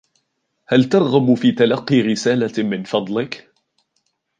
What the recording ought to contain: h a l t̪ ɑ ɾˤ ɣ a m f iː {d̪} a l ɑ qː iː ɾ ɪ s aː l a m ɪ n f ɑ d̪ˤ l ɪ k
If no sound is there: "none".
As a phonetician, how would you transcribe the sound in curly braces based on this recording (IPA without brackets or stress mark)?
t̪